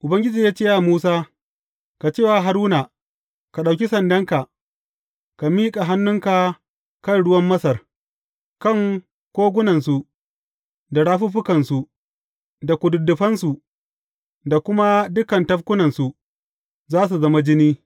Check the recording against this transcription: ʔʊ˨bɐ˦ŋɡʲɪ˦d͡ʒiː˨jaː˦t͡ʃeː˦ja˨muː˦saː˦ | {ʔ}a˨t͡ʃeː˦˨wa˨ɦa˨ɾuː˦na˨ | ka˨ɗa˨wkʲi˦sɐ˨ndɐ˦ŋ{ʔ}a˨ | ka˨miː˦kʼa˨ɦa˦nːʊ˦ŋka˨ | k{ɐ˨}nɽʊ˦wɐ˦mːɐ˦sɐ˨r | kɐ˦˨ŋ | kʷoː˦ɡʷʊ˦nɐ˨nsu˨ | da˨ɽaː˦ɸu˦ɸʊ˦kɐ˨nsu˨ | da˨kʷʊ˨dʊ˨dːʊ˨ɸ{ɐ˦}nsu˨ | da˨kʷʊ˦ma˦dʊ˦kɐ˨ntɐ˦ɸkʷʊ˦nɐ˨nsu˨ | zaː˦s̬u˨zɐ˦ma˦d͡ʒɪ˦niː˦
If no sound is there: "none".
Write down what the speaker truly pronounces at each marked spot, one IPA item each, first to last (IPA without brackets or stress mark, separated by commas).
k, k, ɐ˦, ɐ˦